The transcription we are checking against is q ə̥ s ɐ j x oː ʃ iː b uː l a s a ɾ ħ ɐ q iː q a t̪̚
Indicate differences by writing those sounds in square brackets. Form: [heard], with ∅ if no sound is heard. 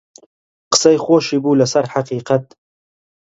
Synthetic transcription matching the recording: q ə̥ s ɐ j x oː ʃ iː b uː l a s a ɾ ħ [a] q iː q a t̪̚

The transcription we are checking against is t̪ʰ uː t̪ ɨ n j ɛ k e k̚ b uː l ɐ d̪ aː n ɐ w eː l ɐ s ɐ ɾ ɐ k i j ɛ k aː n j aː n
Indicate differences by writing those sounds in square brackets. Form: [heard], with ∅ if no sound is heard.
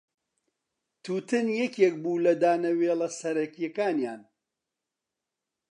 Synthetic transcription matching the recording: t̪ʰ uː t̪ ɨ n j ɛ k e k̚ b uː l ɐ d̪ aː n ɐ w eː l ɐ s ɐ ɾ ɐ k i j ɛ k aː n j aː n

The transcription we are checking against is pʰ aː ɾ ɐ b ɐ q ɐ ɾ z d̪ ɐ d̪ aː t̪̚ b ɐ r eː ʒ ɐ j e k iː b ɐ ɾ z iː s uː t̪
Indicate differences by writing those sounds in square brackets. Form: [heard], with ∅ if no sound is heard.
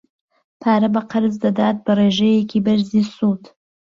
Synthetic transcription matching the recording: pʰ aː ɾ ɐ b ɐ q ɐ ɾ z d̪ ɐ d̪ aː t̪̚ b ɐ r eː ʒ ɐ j e k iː b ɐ ɾ z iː s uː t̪

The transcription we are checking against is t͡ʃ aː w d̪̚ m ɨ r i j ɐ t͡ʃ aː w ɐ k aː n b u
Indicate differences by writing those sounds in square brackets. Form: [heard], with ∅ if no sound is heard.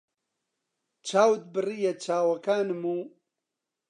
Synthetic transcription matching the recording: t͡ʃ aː w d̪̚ [b] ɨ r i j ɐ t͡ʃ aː w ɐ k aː n [m] u

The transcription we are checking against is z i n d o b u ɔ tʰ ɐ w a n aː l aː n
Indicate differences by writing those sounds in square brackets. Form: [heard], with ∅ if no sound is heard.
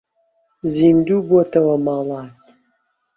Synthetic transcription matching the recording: z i n d [u] b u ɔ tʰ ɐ w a [m] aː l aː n

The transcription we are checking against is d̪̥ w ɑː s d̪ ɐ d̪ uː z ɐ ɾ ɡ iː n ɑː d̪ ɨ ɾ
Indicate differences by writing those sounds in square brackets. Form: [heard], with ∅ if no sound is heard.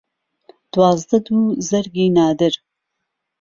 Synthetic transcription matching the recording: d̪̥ w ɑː [z] d̪ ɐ d̪ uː z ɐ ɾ ɡ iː n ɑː d̪ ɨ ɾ

